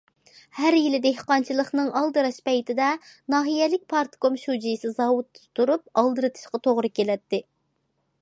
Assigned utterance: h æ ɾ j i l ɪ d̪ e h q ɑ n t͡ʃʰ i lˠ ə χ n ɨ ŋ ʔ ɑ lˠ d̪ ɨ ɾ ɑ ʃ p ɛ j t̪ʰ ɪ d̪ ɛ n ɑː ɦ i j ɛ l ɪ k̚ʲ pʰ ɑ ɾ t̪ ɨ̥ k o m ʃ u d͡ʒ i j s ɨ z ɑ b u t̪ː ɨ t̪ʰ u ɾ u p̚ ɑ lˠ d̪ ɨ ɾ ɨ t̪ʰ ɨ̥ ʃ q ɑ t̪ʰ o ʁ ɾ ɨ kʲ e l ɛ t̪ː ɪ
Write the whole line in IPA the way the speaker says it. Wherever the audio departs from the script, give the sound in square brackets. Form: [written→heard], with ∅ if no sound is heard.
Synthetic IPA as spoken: h æ ɾ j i l ɪ d̪ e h q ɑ n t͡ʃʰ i lˠ ə χ n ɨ ŋ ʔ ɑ lˠ d̪ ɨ ɾ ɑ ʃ p ɛ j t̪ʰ ɪ d̪ ɛ n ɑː ɦ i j ɛ l ɪ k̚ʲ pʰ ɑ ɾ t̪ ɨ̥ k o m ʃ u d͡ʒ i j s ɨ z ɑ [b→w] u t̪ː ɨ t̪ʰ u ɾ u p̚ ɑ lˠ d̪ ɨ ɾ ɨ t̪ʰ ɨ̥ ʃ q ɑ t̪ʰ o ʁ ɾ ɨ kʲ e l ɛ t̪ː ɪ